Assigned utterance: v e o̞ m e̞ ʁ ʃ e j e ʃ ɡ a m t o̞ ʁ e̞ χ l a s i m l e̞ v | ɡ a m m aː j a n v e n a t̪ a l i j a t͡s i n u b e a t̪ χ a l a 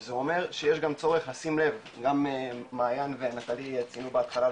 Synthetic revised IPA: z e o̞ m e̞ ʁ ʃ e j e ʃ ɡ a m t͡s o̞ ʁ e̞ χ l a s i m l e̞ v | ɡ a m m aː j a n v e n a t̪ a l i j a t͡s i n u b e a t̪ χ a l a